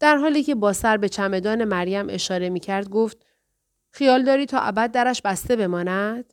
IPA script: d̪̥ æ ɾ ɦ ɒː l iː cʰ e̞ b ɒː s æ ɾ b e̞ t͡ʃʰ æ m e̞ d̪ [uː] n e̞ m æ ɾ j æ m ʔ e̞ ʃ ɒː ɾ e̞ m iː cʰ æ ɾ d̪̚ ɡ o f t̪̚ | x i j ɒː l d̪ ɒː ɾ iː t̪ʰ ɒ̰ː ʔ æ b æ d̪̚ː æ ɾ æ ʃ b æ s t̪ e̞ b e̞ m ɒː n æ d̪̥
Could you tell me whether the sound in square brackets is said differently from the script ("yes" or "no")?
yes